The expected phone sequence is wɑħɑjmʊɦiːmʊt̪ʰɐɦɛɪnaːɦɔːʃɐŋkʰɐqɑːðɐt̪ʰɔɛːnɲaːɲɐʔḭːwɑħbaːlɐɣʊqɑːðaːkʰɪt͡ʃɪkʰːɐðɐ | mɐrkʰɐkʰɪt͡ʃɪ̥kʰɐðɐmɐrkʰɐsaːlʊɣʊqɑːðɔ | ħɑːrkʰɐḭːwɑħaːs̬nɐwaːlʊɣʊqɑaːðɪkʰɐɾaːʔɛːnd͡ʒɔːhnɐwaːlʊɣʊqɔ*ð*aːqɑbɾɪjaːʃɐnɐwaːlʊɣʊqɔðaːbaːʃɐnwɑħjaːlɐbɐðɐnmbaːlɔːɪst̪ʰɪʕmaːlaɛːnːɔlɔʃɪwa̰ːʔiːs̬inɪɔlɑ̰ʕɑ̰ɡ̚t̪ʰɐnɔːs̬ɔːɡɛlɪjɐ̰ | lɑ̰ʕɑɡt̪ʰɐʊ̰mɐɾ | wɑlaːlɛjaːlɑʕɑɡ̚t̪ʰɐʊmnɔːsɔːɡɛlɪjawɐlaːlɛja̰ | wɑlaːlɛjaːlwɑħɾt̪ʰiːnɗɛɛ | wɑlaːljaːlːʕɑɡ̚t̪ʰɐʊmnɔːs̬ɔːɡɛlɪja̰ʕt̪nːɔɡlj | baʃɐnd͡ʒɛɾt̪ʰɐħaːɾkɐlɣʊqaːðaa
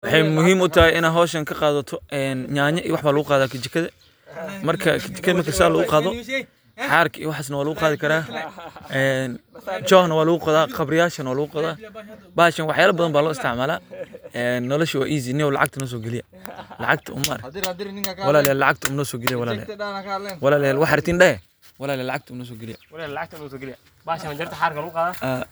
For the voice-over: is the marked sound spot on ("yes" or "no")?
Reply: yes